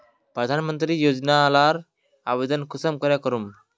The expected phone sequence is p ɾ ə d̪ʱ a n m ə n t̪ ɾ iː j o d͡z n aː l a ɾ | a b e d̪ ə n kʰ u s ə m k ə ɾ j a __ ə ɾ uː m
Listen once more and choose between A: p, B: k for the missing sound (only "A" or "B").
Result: B